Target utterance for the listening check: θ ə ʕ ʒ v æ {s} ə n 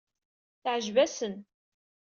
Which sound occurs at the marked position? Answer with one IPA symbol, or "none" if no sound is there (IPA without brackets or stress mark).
s